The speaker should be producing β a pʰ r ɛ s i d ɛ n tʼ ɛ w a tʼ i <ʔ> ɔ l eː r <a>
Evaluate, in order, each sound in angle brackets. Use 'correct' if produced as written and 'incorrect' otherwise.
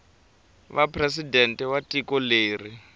incorrect, incorrect

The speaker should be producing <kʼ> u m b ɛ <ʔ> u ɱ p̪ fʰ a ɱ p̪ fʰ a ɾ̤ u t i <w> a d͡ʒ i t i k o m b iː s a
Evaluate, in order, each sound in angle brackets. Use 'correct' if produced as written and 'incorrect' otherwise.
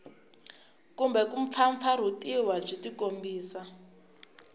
incorrect, incorrect, correct

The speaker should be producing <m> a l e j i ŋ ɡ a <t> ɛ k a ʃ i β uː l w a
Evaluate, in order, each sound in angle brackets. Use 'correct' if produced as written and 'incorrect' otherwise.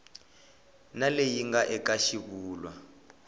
incorrect, incorrect

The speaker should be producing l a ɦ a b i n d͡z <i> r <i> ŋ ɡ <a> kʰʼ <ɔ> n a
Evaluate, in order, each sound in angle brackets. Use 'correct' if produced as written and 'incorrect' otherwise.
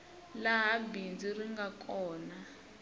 correct, correct, correct, incorrect

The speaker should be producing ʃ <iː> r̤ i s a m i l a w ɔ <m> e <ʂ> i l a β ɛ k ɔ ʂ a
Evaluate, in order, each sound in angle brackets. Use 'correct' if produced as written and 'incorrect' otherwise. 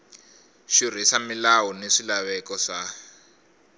incorrect, incorrect, correct

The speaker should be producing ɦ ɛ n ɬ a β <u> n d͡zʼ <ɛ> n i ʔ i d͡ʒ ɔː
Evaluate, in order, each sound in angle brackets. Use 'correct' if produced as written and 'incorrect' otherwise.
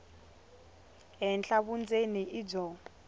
correct, incorrect

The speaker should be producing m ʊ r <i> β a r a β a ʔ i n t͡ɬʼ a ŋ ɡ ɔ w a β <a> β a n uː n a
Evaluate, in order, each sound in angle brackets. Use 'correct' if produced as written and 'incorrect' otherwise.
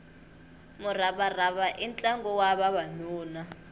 incorrect, correct

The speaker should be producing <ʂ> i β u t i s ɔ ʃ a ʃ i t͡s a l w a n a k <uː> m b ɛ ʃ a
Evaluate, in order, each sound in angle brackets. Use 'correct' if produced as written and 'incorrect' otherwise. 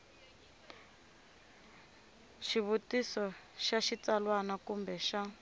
incorrect, incorrect

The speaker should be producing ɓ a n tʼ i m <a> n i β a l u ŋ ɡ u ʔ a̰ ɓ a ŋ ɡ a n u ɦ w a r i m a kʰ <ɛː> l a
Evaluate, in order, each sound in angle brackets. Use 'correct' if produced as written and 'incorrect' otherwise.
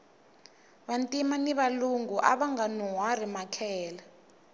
correct, correct

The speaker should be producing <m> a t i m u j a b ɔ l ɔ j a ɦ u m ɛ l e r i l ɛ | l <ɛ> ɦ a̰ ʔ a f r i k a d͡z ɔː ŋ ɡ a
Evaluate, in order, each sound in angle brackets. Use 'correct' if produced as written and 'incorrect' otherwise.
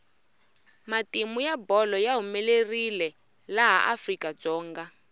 correct, incorrect

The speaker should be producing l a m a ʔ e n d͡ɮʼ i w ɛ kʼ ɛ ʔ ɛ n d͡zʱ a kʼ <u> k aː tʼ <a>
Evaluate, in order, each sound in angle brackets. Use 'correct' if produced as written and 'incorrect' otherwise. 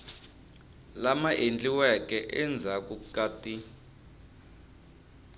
correct, incorrect

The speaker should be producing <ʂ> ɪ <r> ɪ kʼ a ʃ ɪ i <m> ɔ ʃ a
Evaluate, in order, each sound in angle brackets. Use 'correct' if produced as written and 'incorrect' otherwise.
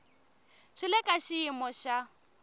incorrect, incorrect, correct

